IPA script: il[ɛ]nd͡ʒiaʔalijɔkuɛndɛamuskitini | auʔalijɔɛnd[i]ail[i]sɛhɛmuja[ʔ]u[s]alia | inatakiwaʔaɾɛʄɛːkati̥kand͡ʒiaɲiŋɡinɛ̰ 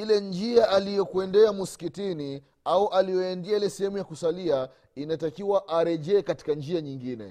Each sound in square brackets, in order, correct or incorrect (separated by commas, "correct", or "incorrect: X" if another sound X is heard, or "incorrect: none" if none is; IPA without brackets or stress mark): correct, correct, incorrect: ɛ, incorrect: k, correct